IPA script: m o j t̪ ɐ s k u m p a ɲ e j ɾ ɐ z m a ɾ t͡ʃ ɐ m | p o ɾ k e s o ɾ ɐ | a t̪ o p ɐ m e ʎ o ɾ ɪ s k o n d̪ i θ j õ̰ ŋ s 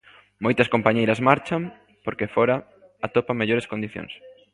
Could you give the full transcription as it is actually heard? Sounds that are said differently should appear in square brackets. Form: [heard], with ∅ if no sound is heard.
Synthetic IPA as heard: m o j t̪ ɐ s k [o] m p a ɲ e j ɾ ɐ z m a ɾ t͡ʃ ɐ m | p o ɾ k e [f] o ɾ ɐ | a t̪ o p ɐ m e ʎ o ɾ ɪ s k o n d̪ i θ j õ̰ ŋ s